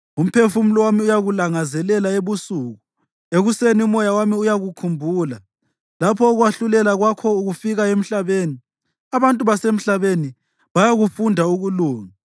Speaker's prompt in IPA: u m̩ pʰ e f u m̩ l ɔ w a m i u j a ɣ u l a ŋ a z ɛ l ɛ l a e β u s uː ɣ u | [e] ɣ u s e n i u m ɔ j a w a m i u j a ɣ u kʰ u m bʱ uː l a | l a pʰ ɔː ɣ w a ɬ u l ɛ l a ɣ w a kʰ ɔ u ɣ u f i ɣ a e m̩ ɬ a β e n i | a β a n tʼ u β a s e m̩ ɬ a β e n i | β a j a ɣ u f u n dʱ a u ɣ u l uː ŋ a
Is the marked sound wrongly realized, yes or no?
no